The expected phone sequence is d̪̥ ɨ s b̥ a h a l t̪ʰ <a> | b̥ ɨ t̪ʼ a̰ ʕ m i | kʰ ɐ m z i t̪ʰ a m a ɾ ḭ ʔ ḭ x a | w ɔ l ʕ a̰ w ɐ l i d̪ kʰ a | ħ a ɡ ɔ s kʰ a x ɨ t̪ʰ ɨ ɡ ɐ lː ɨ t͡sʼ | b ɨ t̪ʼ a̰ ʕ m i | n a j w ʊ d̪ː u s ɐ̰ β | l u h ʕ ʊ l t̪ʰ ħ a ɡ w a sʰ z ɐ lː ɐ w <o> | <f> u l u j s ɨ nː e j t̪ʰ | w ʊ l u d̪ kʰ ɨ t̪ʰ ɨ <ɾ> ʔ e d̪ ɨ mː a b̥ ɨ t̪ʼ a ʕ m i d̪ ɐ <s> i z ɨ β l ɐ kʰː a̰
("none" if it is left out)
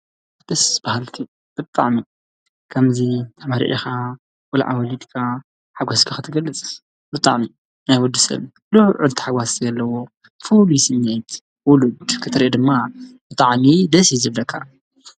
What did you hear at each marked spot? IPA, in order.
i, o, f, ɾ, s

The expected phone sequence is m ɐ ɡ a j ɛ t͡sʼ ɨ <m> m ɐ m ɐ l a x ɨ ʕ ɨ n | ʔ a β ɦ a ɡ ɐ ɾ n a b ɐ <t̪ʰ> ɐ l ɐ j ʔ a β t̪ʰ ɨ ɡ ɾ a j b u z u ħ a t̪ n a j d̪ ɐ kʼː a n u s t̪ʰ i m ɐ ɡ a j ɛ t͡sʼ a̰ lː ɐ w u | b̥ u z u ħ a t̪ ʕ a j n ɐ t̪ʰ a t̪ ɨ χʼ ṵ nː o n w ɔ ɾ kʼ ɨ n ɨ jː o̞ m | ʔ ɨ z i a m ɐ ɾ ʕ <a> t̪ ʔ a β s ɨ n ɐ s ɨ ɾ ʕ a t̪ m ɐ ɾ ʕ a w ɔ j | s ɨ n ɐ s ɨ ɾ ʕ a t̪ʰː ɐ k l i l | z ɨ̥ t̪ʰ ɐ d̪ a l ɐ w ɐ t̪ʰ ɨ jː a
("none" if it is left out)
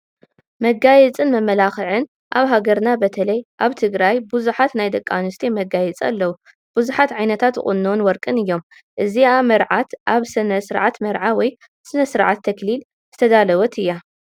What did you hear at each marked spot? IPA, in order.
n, t̪ʰ, a

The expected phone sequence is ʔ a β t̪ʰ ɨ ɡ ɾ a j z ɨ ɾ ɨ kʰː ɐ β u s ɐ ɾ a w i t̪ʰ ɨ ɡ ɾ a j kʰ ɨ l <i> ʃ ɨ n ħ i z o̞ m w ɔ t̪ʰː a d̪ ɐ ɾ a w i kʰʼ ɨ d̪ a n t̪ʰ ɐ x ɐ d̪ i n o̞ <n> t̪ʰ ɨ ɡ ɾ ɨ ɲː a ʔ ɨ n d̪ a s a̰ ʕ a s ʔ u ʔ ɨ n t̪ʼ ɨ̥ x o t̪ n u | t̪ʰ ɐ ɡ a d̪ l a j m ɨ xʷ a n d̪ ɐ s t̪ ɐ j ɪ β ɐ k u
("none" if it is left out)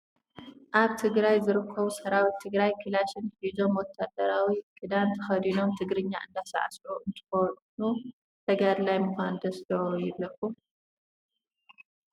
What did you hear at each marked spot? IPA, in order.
a, m

